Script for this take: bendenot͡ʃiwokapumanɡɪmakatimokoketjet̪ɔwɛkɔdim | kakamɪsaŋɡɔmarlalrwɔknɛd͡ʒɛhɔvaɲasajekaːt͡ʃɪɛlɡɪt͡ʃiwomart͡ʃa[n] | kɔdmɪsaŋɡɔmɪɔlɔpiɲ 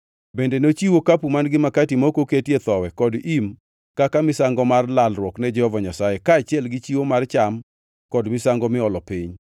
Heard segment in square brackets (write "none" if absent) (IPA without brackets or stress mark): m